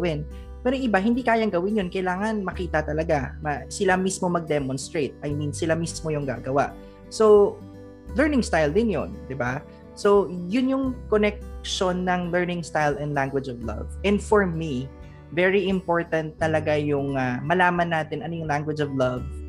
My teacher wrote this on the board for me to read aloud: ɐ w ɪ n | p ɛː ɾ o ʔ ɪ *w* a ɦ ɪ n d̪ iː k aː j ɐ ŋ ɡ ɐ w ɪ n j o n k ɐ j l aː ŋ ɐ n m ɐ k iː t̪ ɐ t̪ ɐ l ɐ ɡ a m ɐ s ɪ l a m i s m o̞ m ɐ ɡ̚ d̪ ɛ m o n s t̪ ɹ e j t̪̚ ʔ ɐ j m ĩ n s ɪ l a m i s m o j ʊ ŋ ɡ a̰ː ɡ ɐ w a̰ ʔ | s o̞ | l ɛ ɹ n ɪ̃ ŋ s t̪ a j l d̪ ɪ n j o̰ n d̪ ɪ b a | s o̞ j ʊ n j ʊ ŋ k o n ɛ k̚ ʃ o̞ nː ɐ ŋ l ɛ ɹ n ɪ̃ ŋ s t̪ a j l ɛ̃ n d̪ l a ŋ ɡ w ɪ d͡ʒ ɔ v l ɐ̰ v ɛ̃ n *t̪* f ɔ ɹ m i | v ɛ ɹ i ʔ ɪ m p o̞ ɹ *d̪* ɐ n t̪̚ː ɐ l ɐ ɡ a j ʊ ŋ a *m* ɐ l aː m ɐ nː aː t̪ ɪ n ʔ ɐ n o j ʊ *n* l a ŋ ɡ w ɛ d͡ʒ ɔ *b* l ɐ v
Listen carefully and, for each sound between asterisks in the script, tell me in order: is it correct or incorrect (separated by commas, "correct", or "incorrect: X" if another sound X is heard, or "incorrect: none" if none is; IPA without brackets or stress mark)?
incorrect: b, incorrect: d̪, incorrect: t̪, correct, incorrect: ŋ, incorrect: v